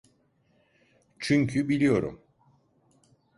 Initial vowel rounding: rounded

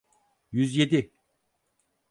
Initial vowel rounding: rounded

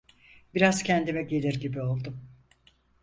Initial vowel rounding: unrounded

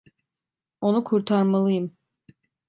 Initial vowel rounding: rounded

